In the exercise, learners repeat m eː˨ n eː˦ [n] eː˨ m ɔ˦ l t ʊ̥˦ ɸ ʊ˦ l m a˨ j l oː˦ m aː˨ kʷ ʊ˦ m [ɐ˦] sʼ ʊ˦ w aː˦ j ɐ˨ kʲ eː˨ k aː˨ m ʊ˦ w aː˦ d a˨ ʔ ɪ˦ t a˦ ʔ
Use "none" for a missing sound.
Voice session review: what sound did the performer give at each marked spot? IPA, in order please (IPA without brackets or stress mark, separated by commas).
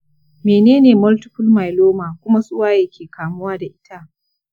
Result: n, a˦